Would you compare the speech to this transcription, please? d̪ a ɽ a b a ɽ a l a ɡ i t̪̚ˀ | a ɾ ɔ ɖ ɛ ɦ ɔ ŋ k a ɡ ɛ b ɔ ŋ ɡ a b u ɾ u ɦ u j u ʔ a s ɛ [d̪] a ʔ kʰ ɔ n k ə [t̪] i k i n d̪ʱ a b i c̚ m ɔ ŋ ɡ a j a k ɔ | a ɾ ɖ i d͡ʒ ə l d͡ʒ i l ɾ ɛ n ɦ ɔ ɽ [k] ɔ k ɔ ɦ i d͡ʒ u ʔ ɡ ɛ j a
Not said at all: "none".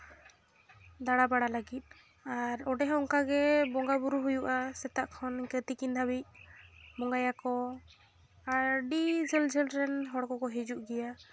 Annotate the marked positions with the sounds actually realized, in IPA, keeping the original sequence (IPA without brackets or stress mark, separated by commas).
t̪, t̪, k